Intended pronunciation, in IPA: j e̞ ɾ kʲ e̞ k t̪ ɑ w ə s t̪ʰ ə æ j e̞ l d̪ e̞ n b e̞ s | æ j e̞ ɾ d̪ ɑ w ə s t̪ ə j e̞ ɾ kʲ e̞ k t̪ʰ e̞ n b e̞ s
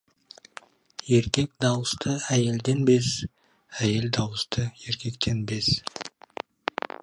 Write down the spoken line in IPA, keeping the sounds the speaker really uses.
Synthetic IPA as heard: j e̞ ɾ kʲ e̞ k d̪ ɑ w ə s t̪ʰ ə æ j e̞ l d̪ e̞ n b e̞ s | æ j e̞ l d̪ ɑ w ə s t̪ ə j e̞ ɾ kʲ e̞ k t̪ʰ e̞ n b e̞ s